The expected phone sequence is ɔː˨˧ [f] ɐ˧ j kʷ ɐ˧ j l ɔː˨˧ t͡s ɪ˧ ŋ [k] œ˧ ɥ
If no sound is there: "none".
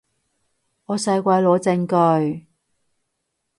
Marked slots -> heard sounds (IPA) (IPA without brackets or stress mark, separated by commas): s, k